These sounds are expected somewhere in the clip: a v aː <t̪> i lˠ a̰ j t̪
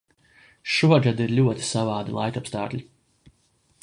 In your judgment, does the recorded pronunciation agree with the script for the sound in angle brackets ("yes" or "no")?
no